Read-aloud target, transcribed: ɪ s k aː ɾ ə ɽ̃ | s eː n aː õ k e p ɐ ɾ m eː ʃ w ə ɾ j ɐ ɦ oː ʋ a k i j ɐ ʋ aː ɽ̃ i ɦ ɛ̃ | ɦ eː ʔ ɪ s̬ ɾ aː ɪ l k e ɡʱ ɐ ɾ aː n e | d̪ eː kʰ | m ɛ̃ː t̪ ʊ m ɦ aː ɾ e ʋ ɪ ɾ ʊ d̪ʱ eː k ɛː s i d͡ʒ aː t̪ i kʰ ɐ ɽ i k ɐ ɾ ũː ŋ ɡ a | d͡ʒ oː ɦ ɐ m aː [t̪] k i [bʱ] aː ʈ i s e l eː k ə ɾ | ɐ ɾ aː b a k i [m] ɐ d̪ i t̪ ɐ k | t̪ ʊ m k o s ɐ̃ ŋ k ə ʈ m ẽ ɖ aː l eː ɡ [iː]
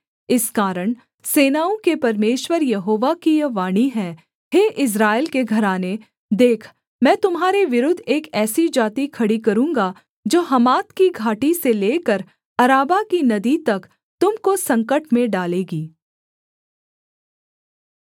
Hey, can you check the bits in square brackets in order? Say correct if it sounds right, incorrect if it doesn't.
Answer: correct, incorrect: ɡʱ, incorrect: n, correct

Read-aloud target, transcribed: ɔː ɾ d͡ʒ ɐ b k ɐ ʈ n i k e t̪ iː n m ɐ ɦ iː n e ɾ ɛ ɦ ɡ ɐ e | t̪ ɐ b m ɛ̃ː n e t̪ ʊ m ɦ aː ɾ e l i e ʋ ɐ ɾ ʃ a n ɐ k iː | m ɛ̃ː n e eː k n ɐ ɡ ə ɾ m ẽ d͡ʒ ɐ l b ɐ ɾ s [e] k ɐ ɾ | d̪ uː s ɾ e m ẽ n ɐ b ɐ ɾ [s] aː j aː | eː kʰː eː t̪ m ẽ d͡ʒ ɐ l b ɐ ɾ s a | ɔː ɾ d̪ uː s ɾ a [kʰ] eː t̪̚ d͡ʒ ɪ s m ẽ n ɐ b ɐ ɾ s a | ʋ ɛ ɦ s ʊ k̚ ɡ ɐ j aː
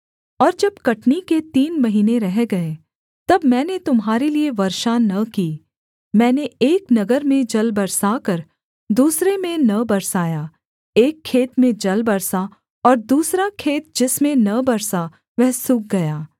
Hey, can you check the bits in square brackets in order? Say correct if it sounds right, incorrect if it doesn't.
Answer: incorrect: a, correct, correct

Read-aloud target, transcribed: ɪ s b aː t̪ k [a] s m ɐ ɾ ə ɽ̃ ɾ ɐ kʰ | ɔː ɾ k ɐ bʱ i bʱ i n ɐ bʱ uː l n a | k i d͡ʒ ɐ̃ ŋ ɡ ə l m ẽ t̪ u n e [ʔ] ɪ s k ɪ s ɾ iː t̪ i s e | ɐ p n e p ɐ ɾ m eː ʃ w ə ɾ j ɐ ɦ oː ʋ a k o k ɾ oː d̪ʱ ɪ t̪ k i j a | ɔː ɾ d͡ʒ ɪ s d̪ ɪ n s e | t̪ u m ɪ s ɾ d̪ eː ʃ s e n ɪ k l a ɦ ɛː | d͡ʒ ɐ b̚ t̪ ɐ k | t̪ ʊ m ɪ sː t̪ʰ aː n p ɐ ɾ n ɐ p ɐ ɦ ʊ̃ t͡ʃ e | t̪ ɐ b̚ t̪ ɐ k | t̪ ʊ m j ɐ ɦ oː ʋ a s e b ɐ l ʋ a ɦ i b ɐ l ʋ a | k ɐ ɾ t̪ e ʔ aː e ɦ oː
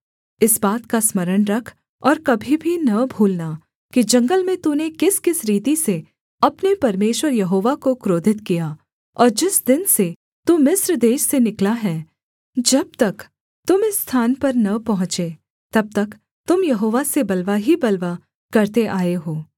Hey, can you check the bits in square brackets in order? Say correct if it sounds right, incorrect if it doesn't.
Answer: correct, incorrect: k

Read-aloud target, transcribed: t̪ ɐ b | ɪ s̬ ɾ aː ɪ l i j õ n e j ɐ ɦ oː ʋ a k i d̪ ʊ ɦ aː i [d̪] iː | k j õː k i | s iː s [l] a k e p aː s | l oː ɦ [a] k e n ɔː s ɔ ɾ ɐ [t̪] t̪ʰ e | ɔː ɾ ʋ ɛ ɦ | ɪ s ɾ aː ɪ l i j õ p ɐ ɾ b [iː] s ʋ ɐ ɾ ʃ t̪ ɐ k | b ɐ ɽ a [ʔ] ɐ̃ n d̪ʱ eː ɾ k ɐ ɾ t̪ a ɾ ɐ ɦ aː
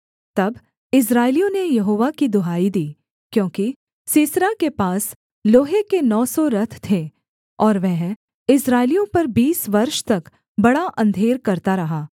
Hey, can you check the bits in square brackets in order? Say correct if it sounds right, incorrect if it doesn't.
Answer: correct, incorrect: ɾ, incorrect: e, incorrect: t̪ʰ, correct, correct

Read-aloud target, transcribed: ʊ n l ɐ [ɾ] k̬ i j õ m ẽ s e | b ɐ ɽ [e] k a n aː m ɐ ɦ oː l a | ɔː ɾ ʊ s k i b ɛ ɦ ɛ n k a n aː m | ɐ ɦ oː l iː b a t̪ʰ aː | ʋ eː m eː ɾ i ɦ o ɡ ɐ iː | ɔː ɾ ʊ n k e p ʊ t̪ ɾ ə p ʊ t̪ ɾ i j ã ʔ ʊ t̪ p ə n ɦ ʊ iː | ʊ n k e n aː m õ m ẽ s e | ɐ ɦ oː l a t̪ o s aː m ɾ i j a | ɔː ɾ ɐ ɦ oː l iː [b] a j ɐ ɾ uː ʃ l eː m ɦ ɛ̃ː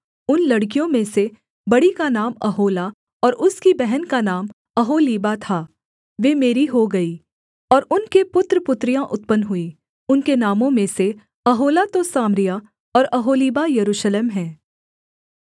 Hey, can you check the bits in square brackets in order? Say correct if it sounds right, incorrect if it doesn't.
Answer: incorrect: ɽ, incorrect: i, correct

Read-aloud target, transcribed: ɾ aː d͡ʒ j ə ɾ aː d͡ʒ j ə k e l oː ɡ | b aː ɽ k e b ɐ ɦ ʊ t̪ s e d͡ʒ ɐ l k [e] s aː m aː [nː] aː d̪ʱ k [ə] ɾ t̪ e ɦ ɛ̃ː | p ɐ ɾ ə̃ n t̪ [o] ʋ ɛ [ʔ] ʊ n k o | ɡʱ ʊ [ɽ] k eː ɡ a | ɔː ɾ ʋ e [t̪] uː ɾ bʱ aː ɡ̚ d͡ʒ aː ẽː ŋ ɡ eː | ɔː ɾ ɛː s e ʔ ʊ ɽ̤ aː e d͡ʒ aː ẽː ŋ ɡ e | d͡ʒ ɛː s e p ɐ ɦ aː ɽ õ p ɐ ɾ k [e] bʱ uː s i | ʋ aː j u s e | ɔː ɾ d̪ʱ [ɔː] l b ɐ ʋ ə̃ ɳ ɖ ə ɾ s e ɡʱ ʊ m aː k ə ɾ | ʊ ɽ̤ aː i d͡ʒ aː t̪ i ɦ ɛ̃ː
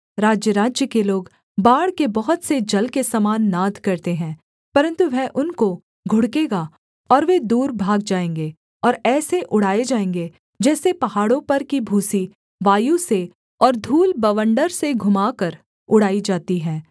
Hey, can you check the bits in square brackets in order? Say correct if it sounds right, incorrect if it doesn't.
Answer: correct, correct, incorrect: ɐ, incorrect: u, correct, correct, incorrect: d̪, incorrect: i, incorrect: uː

